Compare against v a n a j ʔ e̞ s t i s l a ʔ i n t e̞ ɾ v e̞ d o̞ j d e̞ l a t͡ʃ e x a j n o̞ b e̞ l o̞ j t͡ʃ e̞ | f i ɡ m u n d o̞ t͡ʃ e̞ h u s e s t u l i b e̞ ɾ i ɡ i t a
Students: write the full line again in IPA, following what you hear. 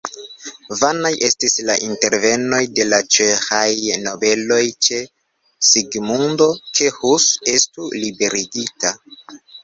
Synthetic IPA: v a n a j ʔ e̞ s t i s l a ʔ i n t e̞ ɾ v e̞ n o̞ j d e̞ l a t͡ʃ e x a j n o̞ b e̞ l o̞ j t͡ʃ e̞ | s i ɡ m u n d o̞ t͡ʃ e̞ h u s e s t u l i b e̞ ɾ i ɡ i t a